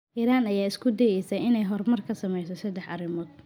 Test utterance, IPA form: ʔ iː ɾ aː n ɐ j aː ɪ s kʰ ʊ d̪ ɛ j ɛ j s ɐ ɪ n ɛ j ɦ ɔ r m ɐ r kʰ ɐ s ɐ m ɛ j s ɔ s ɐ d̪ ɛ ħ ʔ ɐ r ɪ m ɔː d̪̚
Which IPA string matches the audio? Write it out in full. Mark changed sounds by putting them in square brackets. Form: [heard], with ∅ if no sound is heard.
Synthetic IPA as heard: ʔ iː ɾ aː n ɐ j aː ɪ s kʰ ʊ d̪ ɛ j ɛ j s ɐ ɪ n ɛ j ɦ ɔ r m ɐ r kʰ ɐ s ɐ m ɛ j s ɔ s ɐ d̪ ɛ ħ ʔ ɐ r ɪ m ɔː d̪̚